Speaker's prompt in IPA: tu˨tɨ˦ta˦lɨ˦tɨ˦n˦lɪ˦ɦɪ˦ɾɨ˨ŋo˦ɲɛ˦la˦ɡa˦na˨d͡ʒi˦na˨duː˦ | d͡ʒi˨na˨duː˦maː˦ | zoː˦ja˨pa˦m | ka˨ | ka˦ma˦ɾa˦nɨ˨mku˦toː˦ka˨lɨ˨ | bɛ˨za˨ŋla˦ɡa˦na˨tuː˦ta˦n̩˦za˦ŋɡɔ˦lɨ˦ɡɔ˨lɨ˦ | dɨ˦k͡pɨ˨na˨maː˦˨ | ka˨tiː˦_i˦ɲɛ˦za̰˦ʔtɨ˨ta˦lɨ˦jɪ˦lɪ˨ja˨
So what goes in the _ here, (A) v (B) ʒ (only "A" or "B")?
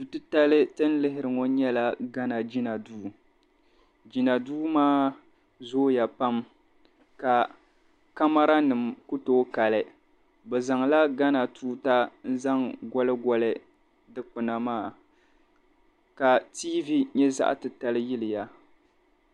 A